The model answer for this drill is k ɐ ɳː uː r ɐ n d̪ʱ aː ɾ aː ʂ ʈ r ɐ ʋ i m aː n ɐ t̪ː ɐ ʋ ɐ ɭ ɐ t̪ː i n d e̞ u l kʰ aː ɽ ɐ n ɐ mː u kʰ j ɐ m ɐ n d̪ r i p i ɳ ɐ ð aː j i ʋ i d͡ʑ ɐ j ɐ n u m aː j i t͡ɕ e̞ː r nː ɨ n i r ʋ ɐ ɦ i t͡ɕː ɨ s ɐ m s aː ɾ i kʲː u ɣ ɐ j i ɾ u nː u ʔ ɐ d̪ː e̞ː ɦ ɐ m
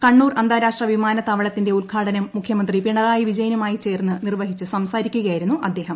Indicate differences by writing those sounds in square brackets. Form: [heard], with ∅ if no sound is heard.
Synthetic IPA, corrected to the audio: k ɐ ɳː uː r ɐ n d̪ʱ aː ɾ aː ʂ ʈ r ɐ ʋ i m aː n ɐ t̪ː ɐ ʋ ɐ ɭ ɐ t̪ː i n d e̞ u l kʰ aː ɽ ɐ n ɐ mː u kʰ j ɐ m ɐ n d̪ r i p i ɳ ɐ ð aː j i ʋ i d͡ʑ ɐ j ɐ n u m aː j i t͡ɕ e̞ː r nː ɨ n i r ʋ ɐ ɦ i t͡ɕː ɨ s ɐ m s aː ɾ i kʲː u ɣ ɐ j i ɾ u nː u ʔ ɐ d̪ː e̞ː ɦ ɐ m

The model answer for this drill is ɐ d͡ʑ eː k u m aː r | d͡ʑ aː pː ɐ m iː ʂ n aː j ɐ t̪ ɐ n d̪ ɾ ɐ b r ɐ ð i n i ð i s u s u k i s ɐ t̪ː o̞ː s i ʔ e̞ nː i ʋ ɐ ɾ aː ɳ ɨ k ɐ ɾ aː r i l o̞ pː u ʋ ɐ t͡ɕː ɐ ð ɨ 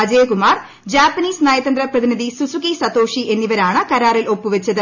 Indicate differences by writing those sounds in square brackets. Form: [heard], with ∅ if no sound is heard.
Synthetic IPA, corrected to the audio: ɐ d͡ʑ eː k u m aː r | d͡ʑ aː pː ɐ [n] iː [s] n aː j ɐ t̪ ɐ n d̪ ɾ ɐ [p] r ɐ ð i n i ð i s u s u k i s ɐ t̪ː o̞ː [ʂ] i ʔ e̞ nː i ʋ ɐ ɾ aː ɳ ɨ k ɐ ɾ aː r i l o̞ pː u ʋ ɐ t͡ɕː ɐ ð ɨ

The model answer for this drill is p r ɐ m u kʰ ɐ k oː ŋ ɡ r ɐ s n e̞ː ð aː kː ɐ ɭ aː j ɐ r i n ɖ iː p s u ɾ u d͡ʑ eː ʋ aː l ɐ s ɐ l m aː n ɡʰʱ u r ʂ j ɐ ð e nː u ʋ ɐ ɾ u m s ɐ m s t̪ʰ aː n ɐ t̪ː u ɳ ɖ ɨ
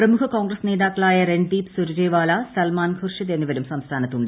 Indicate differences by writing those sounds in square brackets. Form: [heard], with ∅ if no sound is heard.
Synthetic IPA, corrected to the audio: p r ɐ m u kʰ ɐ k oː ŋ ɡ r ɐ s n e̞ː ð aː kː ɐ ɭ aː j ɐ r [e] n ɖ iː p s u ɾ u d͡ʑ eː ʋ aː l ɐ s ɐ l m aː n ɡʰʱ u r ʂ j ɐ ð e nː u ʋ ɐ ɾ u m s ɐ m s t̪ʰ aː n ɐ t̪ː u ɳ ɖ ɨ

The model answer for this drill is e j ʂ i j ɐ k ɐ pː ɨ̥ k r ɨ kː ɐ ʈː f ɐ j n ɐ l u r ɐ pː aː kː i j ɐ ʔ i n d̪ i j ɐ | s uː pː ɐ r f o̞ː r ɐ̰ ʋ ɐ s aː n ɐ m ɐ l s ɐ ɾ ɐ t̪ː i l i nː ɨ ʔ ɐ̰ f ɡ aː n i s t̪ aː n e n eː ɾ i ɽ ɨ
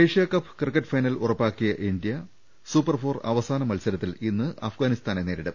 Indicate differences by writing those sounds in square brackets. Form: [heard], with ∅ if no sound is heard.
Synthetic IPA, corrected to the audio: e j ʂ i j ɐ k ɐ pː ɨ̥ k r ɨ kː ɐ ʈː f ɐ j n ɐ l u r ɐ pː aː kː i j ɐ ʔ i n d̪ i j ɐ | s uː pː ɐ r f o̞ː r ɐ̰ ʋ ɐ s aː n ɐ m ɐ l s ɐ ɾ ɐ t̪ː i l i nː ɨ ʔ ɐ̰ f ɡ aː n i s t̪ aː n e n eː ɾ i ɽ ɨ

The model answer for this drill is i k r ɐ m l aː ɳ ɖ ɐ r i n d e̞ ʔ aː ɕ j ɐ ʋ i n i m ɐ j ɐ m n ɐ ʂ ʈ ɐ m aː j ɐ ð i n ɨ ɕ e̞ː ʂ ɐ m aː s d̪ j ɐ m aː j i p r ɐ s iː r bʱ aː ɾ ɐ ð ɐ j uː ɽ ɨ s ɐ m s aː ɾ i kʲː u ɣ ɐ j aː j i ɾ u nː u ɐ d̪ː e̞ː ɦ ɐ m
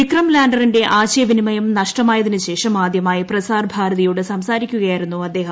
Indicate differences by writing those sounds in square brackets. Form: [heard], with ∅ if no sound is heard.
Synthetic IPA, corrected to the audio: i k r ɐ m l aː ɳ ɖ ɐ r i n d e̞ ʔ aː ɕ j ɐ ʋ i n i m ɐ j ɐ m n ɐ ʂ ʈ ɐ m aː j ɐ ð i n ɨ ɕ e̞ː ʂ ɐ m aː [∅] d̪ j ɐ m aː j i p r ɐ s [aː] r bʱ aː ɾ ɐ ð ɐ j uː ɽ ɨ s ɐ m s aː ɾ i kʲː u ɣ ɐ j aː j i ɾ u nː u ɐ d̪ː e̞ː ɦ ɐ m

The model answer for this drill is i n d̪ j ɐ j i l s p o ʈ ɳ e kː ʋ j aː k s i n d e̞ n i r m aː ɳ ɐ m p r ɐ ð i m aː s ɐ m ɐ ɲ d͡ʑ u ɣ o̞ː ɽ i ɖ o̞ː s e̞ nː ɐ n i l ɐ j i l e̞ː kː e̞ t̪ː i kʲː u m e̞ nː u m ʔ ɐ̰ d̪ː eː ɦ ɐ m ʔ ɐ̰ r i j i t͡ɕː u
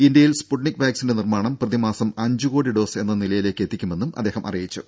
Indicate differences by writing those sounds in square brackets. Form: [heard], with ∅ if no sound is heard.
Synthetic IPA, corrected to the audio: i n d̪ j ɐ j i l s p [u] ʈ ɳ [i] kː ʋ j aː k s i n d e̞ n i r m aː ɳ ɐ m p r ɐ ð i m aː s ɐ m ɐ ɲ d͡ʑ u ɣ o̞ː ɽ i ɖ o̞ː s e̞ nː ɐ n i l ɐ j i l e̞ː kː e̞ t̪ː i kʲː u m e̞ nː u m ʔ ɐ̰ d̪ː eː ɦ ɐ m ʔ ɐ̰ r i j i t͡ɕː u

